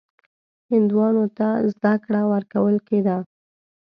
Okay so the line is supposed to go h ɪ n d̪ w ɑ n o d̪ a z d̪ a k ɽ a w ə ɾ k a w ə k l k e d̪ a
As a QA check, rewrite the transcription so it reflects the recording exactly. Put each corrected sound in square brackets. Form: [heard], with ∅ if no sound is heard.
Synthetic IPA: h ɪ n d̪ w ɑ n o [t̪] a z d̪ a k ɽ a w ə ɾ k a w ə [∅] l k e d̪ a